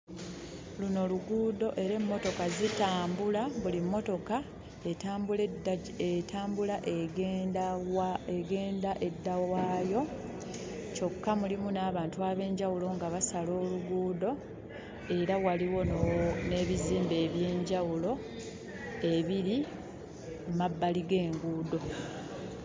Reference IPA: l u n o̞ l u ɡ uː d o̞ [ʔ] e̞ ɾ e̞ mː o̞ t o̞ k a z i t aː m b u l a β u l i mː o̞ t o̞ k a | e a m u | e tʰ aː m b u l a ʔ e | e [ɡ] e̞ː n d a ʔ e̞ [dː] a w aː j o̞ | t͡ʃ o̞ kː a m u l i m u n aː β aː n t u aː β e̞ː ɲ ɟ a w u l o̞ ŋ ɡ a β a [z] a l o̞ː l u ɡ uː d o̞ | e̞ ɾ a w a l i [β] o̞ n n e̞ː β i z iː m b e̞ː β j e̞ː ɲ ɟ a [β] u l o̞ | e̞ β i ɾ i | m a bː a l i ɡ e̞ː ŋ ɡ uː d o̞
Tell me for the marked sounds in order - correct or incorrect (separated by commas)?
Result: correct, correct, correct, incorrect, incorrect, incorrect